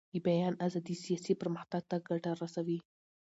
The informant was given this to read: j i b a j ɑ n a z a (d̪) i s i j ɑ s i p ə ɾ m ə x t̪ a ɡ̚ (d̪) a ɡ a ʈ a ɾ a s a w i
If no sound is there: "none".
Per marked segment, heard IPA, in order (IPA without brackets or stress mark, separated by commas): d̪, t̪